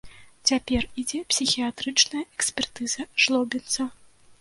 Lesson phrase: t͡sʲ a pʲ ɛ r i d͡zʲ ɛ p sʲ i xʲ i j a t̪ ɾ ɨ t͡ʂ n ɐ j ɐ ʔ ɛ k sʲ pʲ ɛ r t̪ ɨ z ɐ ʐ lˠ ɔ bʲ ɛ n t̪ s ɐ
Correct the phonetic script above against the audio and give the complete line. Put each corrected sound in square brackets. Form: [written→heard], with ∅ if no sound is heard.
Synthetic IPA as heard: t͡sʲ a pʲ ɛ r i d͡zʲ ɛ p sʲ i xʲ i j a t̪ ɾ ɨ t͡ʂ n ɐ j ɐ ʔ ɛ k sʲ pʲ ɛ r t̪ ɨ z ɐ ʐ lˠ ɔ bʲ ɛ n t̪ s ɐ